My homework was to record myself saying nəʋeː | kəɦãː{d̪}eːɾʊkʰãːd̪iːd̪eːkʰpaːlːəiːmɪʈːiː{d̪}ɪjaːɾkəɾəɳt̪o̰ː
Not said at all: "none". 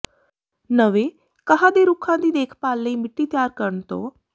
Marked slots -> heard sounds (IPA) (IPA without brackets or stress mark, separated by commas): d̪, t̪